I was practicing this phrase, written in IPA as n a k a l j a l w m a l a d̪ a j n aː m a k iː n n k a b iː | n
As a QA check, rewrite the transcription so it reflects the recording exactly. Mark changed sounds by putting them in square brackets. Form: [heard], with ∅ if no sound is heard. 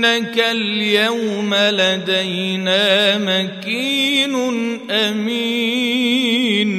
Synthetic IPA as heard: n a k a l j a [∅] w m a l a d̪ a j n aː m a k iː n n [ʔ] a [m] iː | n